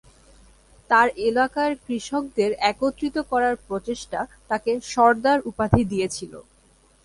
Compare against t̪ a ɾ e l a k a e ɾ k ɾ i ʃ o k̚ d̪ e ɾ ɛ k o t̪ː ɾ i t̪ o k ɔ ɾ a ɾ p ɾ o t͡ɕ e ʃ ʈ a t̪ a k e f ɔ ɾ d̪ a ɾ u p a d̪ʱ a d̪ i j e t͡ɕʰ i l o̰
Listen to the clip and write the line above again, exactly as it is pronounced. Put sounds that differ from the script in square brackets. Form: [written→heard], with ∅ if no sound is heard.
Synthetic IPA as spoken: t̪ a ɾ e l a k a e ɾ k ɾ i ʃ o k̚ d̪ e ɾ ɛ k o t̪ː ɾ i t̪ o k ɔ ɾ a ɾ p ɾ o t͡ɕ e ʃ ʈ a t̪ a k e [f→ʃ] ɔ ɾ d̪ a ɾ u p a d̪ʱ [a→i] d̪ i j e t͡ɕʰ i l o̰